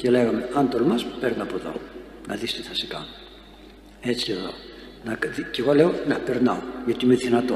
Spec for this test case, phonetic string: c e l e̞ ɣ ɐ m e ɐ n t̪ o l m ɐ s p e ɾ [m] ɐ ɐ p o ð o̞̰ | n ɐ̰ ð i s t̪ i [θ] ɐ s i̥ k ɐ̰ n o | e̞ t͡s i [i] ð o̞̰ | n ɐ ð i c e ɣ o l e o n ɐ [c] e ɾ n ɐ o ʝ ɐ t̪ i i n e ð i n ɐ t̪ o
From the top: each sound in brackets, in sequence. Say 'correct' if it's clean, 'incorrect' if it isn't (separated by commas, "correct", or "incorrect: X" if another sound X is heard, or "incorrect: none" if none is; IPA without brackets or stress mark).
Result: incorrect: n, correct, incorrect: e, incorrect: p